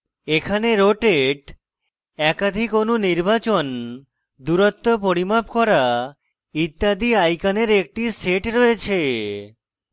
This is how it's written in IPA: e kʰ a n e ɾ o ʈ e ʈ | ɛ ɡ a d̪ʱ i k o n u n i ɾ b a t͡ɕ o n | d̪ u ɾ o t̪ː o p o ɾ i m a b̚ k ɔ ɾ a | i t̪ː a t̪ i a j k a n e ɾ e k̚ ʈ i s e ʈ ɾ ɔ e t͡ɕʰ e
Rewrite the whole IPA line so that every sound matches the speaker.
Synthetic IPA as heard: e kʰ a n e ɾ o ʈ e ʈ | ɛ k a d̪ʱ i k o n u n i ɾ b a t͡ɕ o n | d̪ u ɾ o t̪ː o p o ɾ i m a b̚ k ɔ ɾ a | i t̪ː a d̪ i a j k a n e ɾ e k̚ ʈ i s e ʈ ɾ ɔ e t͡ɕʰ e